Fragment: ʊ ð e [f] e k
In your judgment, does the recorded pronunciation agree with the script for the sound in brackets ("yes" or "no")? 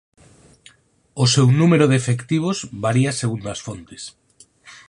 yes